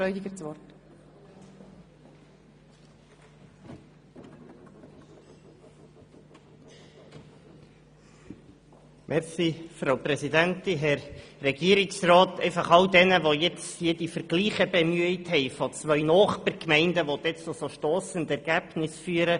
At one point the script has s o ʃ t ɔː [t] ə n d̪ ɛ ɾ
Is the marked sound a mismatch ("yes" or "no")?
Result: yes